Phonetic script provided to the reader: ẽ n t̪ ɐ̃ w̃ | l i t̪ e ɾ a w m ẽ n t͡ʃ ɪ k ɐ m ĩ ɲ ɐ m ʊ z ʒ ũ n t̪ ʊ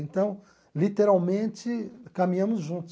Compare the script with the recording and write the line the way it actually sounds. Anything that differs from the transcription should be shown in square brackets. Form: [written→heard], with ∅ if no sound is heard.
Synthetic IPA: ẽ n t̪ ɐ̃ w̃ | l i t̪ e ɾ a w m ẽ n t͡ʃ ɪ k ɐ m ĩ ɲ [ɐ→ɐ̃] m ʊ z ʒ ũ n t̪ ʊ